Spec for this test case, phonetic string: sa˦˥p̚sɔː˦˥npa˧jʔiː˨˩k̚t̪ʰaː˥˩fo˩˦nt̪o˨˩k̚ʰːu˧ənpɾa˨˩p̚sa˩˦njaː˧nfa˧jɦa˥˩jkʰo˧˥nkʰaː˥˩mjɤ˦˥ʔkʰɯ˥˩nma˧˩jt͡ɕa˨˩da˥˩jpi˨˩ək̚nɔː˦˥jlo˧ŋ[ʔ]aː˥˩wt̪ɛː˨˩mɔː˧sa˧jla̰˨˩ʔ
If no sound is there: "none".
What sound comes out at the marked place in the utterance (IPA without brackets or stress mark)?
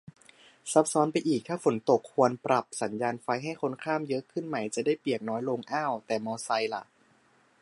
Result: ʔ